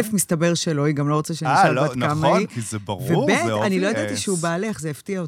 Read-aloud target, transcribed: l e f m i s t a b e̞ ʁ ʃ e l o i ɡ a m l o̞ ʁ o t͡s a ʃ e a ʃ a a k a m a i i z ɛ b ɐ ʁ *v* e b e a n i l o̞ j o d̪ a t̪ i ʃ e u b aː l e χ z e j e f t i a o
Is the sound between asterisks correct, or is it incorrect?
correct